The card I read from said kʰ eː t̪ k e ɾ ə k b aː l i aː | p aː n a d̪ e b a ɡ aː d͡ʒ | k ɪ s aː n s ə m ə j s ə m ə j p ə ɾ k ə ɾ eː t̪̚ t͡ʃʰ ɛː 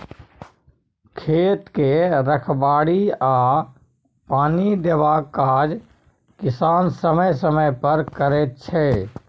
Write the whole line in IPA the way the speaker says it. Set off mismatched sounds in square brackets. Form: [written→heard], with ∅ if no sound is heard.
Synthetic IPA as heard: kʰ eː t̪ k e ɾ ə [k→kʰ] b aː [l→ɽ] i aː | p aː n [a→i] d̪ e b a [ɡ→k] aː d͡ʒ | k ɪ s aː n s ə m ə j s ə m ə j p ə ɾ k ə ɾ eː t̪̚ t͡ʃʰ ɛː